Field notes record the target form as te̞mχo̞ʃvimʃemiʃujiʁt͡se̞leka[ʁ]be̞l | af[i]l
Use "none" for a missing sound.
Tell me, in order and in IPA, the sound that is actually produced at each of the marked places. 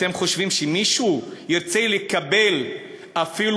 none, i

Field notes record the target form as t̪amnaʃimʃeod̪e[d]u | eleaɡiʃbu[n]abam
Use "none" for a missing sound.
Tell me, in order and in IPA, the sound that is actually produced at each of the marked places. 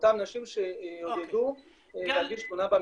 d, n

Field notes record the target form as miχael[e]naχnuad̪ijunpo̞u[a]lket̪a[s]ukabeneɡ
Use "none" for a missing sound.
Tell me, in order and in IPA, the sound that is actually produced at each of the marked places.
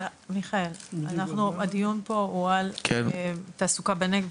a, a, s

